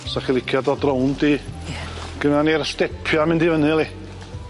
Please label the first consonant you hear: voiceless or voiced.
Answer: voiceless